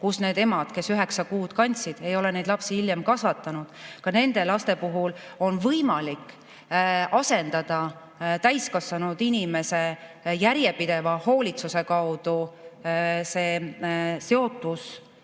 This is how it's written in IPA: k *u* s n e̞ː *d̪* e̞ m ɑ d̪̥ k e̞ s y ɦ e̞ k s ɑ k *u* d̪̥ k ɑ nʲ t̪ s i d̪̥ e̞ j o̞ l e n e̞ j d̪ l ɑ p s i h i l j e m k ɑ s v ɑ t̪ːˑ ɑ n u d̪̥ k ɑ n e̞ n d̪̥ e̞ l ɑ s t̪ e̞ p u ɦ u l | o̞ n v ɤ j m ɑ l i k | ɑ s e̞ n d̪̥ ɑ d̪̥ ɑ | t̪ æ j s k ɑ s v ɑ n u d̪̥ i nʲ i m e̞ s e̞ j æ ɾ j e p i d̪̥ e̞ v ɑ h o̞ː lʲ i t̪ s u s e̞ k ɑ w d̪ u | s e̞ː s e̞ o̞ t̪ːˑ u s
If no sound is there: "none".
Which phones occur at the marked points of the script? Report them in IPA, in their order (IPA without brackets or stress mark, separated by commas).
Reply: u, d̪, uː